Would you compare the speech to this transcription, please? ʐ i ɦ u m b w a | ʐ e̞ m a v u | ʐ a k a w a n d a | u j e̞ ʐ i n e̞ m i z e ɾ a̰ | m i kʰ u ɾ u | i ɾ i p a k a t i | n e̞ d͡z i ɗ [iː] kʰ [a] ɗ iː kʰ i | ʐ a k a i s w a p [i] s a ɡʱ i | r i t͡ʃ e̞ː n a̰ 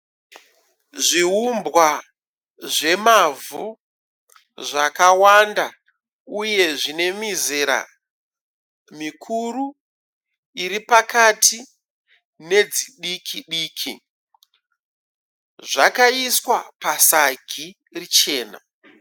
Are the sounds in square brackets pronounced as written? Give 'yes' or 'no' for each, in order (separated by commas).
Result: no, no, no